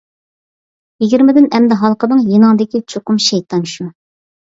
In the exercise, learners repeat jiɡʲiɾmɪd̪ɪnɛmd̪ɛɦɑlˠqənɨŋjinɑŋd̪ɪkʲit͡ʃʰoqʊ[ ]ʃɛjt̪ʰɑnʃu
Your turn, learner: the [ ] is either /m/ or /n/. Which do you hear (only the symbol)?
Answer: m